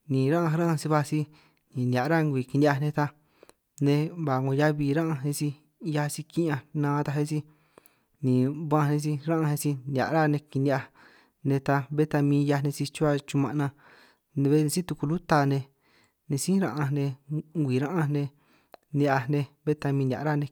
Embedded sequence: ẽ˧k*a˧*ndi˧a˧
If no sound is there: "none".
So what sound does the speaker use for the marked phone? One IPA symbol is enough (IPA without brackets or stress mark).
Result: i˧